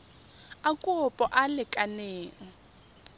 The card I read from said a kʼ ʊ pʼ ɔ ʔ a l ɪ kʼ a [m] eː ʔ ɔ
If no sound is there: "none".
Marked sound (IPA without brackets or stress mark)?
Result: n